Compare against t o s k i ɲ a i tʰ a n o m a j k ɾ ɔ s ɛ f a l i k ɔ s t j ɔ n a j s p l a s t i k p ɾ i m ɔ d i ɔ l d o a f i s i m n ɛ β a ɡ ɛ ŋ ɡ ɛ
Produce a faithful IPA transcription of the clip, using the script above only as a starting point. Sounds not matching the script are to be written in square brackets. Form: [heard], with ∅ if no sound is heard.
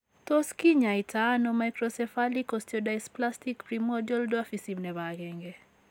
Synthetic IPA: t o s k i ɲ a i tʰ a n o m a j k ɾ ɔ s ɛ f a l i k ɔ s t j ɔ [d] a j s p l a s t i k p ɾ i m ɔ d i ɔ l d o a f i s i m n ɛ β a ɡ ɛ ŋ ɡ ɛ